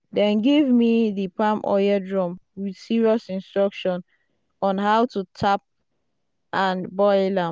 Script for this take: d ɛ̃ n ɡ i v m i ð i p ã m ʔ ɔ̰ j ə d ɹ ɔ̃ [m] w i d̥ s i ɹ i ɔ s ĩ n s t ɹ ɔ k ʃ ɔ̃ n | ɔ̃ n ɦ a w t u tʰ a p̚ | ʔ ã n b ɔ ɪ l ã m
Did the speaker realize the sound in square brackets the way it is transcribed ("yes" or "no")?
yes